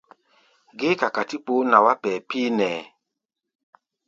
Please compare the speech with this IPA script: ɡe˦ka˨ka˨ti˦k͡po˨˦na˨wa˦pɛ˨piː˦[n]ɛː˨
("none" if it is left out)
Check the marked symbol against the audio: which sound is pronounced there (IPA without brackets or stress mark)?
n